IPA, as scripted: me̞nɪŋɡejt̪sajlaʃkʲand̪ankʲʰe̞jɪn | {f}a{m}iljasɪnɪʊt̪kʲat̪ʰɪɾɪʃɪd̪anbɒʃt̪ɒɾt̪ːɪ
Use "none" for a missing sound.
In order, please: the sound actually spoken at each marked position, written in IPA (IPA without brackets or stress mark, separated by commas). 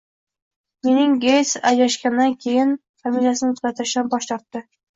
f, m